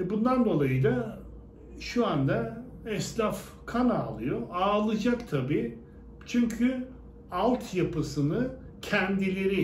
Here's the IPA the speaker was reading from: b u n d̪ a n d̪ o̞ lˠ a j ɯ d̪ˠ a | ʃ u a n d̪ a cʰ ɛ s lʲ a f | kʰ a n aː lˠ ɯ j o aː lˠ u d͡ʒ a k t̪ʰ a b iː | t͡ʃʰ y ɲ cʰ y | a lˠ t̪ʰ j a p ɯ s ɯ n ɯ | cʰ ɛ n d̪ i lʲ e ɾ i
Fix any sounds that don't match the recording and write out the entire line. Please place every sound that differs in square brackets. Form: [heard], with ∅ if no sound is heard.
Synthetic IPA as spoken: b u n d̪ a n d̪ o̞ lˠ a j ɯ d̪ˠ a | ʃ u a n d̪ a [∅] ɛ s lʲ a f | kʰ a n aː lˠ ɯ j o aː lˠ [ɯ] d͡ʒ a k t̪ʰ a b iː | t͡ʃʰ y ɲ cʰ y | a lˠ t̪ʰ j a p ɯ s ɯ n ɯ | cʰ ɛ n d̪ i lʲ e ɾ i